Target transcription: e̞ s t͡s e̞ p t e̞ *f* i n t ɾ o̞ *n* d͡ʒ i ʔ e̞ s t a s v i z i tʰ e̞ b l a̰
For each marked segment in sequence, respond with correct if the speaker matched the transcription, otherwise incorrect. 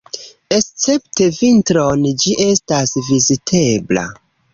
incorrect: v, correct

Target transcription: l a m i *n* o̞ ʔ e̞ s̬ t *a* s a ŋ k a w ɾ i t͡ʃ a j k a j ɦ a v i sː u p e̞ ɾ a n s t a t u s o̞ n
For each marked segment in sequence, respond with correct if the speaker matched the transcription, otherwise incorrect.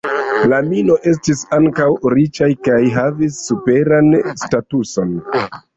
correct, incorrect: i

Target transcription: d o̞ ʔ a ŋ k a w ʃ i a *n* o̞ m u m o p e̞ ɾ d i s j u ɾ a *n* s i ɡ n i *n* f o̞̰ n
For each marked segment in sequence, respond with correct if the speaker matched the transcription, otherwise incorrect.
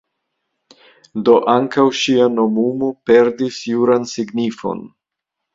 correct, correct, incorrect: none

